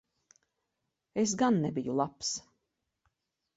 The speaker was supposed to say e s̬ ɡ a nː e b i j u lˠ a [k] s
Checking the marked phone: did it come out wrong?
yes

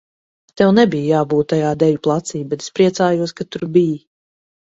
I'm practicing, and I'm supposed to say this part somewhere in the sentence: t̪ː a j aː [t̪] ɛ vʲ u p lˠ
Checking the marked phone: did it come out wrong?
yes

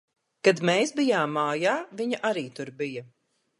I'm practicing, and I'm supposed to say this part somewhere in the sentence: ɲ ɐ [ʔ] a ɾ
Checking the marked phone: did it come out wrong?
no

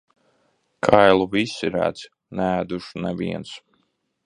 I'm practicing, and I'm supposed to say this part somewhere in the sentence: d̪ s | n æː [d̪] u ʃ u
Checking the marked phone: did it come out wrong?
no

